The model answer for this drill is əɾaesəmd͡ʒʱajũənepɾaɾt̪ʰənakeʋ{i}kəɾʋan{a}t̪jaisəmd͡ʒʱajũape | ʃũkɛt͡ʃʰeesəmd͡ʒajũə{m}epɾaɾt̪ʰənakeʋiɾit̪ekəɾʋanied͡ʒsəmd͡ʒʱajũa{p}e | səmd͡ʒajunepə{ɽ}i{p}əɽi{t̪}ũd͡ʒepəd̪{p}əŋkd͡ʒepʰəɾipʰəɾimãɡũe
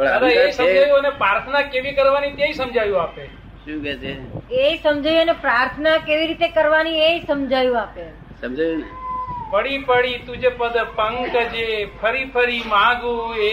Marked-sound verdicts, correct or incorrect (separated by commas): correct, incorrect, incorrect, correct, correct, correct, correct, correct